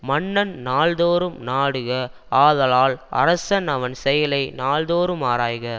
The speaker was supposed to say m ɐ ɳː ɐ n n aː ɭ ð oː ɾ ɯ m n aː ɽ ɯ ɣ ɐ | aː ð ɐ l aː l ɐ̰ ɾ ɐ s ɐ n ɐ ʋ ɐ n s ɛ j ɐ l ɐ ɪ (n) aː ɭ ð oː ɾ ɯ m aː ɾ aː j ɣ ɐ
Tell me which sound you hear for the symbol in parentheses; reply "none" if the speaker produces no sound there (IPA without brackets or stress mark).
n